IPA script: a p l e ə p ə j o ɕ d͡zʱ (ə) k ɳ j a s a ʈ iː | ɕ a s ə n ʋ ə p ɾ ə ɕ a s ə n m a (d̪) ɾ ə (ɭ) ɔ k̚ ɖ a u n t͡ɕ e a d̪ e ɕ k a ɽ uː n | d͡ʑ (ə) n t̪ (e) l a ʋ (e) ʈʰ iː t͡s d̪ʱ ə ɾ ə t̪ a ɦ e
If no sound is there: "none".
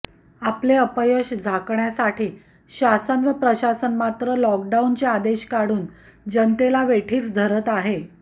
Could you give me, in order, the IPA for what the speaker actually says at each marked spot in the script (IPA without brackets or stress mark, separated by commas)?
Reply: a, t̪, l, ə, e, e